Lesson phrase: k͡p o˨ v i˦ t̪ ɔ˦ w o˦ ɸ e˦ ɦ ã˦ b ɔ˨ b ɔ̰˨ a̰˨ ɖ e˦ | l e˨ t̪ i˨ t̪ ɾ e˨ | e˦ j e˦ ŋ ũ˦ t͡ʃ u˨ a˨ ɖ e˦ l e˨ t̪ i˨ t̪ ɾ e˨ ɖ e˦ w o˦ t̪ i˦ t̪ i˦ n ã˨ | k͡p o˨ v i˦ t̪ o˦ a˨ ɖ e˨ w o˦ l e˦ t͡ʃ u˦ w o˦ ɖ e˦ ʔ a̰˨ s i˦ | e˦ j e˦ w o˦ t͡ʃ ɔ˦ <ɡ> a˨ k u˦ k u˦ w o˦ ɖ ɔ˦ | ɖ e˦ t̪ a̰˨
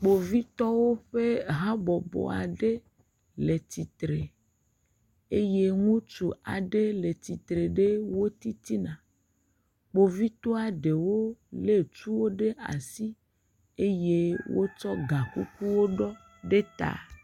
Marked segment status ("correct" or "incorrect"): correct